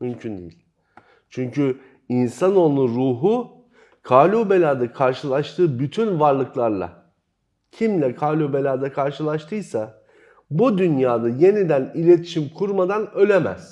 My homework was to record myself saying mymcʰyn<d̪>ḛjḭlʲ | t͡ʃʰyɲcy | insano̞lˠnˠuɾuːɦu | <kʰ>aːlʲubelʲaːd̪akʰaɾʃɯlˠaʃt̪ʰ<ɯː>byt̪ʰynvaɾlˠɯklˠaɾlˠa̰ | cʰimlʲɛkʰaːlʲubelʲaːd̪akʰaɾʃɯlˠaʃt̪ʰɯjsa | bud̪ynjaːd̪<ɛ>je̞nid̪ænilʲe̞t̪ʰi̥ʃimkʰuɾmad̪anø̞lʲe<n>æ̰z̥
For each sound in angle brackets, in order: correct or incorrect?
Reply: correct, correct, correct, incorrect: a, incorrect: m

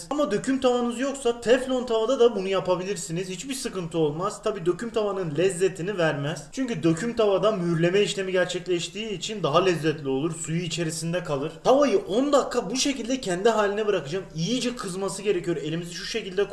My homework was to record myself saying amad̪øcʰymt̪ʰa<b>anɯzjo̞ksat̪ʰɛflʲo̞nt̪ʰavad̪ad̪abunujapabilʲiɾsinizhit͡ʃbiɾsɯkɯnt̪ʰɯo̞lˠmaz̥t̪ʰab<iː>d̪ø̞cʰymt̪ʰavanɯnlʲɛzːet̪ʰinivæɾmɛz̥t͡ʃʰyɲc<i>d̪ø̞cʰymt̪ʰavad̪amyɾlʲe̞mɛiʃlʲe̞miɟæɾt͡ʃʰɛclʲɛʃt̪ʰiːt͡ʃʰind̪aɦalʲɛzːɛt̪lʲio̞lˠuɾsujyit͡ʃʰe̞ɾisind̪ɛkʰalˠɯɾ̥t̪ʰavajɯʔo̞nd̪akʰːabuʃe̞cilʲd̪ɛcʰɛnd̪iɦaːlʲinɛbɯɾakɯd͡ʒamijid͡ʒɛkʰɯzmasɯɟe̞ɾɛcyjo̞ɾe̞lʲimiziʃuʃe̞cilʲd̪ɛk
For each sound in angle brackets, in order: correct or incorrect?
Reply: incorrect: v, correct, incorrect: y

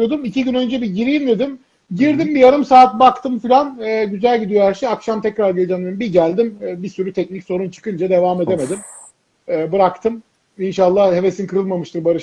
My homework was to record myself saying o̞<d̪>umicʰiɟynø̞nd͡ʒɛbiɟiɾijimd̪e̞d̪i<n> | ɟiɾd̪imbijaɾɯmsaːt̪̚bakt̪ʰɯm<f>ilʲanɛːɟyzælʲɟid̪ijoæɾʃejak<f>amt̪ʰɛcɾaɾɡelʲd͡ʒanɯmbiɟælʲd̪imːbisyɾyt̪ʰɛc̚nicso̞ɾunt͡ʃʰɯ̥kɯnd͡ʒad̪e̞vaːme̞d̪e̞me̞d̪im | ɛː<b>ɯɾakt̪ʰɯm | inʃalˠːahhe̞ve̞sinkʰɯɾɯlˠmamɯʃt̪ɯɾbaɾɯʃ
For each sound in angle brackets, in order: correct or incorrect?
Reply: correct, incorrect: m, correct, incorrect: ʃ, correct

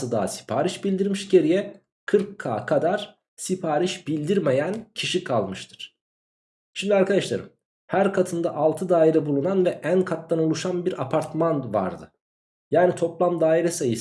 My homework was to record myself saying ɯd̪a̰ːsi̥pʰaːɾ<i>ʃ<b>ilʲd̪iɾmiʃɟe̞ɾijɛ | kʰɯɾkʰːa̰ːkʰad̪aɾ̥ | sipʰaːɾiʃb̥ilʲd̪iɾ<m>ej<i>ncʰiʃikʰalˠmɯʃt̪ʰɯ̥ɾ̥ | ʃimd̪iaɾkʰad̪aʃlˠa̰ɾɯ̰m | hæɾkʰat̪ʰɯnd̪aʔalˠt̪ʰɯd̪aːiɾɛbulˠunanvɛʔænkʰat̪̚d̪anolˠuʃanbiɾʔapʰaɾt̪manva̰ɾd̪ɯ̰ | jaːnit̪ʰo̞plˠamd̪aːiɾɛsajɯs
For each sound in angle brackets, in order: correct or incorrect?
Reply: correct, correct, correct, incorrect: æ

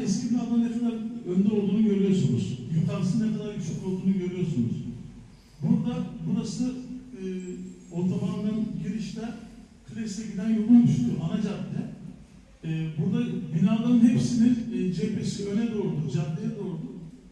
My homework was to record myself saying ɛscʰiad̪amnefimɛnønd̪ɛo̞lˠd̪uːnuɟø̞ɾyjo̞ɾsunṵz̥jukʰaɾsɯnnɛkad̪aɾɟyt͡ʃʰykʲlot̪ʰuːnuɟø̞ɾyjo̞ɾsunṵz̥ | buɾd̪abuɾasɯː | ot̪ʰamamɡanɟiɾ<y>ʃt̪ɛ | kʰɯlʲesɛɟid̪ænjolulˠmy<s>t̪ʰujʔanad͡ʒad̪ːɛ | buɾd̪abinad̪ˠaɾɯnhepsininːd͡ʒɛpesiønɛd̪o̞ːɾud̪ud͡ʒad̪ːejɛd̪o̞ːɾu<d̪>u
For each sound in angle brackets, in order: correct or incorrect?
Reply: incorrect: i, incorrect: ʃ, correct

